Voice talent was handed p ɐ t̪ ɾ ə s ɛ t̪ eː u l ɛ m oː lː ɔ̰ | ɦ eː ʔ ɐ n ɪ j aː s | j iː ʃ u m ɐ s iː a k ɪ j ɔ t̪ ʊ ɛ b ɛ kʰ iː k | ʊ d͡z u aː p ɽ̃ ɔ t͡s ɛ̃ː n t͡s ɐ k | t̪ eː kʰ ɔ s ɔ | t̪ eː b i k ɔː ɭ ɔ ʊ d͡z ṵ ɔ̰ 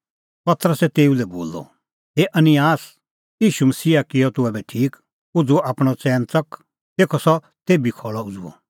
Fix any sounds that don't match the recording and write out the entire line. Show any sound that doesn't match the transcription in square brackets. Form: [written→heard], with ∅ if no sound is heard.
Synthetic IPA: p ɐ t̪ ɾ ə s ɛ t̪ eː u l ɛ [m→b] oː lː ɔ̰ | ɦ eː ʔ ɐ n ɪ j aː s | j iː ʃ u m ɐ s iː a k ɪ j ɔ t̪ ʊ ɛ b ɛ [kʰ→ʈʰ] iː k | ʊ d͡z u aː p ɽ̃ ɔ t͡s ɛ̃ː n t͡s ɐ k | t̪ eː kʰ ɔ s ɔ | t̪ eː b i [k→kʰ] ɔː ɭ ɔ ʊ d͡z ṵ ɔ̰